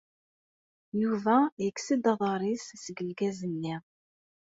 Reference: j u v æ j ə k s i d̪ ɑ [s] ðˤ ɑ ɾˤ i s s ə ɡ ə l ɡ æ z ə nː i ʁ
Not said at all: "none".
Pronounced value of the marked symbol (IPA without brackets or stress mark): none